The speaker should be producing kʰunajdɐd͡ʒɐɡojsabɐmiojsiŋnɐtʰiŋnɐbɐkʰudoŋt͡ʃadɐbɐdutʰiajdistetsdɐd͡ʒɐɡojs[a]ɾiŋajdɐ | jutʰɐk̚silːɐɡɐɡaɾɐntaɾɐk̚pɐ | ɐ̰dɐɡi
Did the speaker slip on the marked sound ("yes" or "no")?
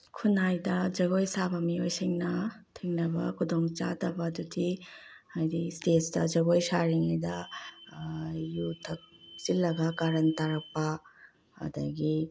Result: no